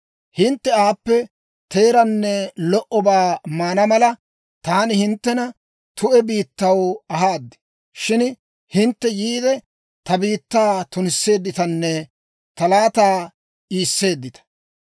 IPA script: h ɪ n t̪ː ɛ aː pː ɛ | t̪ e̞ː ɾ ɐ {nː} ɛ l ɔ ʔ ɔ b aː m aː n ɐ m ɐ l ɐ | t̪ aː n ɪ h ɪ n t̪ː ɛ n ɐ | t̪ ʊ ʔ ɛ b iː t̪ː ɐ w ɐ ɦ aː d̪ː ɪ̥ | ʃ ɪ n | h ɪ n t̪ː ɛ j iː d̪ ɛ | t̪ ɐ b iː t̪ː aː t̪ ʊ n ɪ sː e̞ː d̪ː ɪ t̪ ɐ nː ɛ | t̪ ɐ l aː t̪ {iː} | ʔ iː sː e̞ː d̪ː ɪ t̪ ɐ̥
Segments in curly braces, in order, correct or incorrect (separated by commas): correct, incorrect